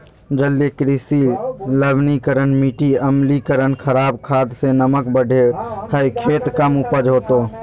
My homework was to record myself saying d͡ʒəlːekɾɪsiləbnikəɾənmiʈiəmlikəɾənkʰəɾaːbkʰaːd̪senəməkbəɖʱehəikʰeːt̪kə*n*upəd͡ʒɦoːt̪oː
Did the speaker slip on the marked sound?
yes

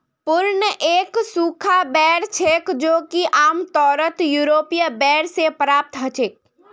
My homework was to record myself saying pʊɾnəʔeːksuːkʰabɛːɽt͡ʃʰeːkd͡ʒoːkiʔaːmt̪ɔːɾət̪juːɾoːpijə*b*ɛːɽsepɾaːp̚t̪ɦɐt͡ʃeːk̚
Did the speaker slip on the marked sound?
no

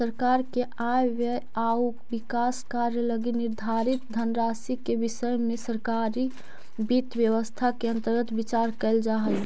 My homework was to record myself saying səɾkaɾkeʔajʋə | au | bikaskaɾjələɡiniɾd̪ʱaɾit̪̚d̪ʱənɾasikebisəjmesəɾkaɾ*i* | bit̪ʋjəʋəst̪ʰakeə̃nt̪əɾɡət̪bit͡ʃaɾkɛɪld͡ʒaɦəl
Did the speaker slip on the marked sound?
no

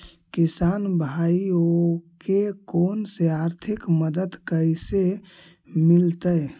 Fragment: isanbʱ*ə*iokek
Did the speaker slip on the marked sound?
yes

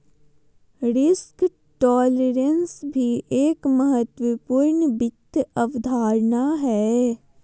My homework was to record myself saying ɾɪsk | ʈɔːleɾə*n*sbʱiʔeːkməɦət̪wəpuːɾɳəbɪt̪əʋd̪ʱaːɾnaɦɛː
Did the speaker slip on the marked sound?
no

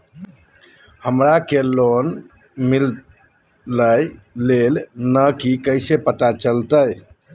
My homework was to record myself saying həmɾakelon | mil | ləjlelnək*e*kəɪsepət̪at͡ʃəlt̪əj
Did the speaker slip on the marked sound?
yes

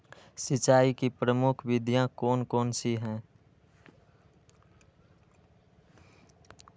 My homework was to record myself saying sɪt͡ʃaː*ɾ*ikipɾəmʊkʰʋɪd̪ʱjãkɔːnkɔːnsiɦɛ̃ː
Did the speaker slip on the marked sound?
yes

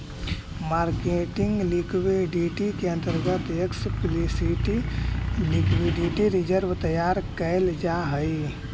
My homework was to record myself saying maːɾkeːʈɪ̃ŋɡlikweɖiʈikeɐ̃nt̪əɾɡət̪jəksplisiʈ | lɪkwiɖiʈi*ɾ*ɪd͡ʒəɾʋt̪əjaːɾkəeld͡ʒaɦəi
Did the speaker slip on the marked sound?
no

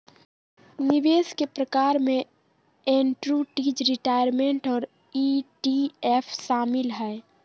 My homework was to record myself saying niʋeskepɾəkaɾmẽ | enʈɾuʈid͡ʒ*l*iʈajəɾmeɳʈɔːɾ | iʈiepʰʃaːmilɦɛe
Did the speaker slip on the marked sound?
yes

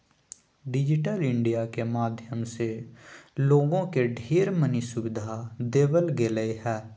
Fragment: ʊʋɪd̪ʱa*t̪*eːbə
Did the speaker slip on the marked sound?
yes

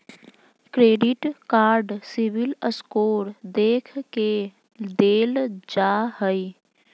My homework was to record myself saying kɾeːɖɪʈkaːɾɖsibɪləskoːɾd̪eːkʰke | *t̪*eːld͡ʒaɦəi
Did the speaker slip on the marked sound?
yes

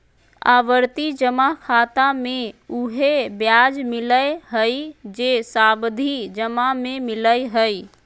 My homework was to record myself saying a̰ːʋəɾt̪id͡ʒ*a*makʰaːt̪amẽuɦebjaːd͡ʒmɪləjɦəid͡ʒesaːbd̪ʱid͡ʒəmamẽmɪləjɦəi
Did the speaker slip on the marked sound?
yes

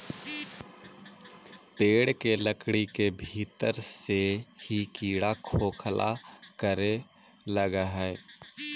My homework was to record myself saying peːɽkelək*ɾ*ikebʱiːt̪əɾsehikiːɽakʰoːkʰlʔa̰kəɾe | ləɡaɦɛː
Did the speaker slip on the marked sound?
yes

